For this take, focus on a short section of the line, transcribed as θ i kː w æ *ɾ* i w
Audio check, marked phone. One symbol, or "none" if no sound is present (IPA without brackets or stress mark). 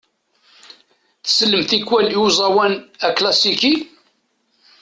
l